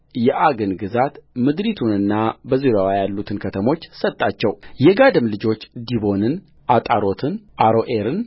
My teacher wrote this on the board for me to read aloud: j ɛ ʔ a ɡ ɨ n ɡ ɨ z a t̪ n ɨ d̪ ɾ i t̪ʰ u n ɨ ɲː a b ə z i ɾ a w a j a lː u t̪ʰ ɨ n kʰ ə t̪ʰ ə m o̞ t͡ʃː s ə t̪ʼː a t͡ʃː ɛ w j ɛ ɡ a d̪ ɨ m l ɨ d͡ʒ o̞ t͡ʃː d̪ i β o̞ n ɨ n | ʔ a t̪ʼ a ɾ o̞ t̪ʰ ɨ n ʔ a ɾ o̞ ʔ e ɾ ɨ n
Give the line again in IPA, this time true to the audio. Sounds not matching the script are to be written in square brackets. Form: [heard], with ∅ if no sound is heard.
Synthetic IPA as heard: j ɛ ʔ a ɡ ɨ n ɡ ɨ z a t̪ [m] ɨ d̪ ɾ i t̪ʰ u n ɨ [nː] a b ə z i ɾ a w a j a lː u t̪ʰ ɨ n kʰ ə t̪ʰ ə m o̞ t͡ʃː s ə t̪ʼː a t͡ʃː ɛ w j ɛ ɡ a d̪ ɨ m l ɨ d͡ʒ o̞ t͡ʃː d̪ i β o̞ n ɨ n | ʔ a t̪ʼ a ɾ o̞ t̪ʰ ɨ n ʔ a ɾ o̞ ʔ e ɾ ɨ n

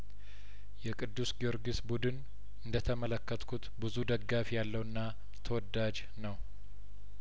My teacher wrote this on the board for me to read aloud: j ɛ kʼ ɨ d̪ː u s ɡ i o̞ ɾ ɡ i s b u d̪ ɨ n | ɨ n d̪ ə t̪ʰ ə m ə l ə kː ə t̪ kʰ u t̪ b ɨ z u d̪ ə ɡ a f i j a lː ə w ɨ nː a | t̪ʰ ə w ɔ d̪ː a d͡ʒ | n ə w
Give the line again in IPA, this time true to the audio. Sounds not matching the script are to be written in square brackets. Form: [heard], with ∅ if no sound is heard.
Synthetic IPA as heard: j ɛ kʼ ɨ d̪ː u s ɡ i o̞ ɾ ɡ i s b u d̪ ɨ n | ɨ n d̪ ə t̪ʰ ə m ə l ə kː ə t̪ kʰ u t̪ b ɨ z u d̪ ə ɡ a f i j a lː ə w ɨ nː a | t̪ʰ ə w ɔ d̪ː a d͡ʒ | n ə w

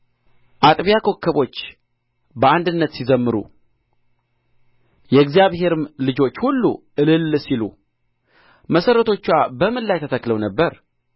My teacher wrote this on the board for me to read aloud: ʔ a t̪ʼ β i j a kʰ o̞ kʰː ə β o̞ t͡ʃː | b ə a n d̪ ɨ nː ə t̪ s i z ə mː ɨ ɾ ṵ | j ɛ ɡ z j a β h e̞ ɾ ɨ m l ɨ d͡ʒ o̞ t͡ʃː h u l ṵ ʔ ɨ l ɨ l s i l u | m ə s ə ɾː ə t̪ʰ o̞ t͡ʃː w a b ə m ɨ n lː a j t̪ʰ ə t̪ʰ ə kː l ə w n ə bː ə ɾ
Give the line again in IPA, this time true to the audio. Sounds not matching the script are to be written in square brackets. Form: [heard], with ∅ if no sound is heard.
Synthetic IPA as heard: ʔ a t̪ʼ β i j a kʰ o̞ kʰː ə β o̞ t͡ʃː | b ə a n d̪ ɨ nː ə t̪ s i z ə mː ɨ ɾ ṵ | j ɛ ɡ z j a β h e̞ ɾ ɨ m l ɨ d͡ʒ o̞ t͡ʃː h u [lː] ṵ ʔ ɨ l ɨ l s i l u | m ə s ə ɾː ə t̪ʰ o̞ t͡ʃː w a b ə m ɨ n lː a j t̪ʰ ə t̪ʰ ə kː l ə w n ə bː ə ɾ

